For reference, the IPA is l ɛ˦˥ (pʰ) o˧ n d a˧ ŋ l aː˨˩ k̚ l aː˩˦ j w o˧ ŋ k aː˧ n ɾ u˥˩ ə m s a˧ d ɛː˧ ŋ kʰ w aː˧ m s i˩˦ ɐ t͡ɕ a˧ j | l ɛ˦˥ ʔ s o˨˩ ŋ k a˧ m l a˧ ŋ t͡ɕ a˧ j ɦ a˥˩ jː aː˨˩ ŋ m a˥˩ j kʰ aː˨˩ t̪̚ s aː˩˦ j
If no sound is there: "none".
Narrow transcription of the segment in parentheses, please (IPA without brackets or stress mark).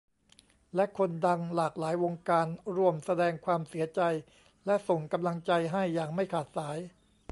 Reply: kʰ